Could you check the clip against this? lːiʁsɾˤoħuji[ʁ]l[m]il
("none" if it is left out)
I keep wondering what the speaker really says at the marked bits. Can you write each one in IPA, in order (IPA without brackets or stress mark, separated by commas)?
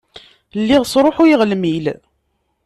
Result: ʁ, m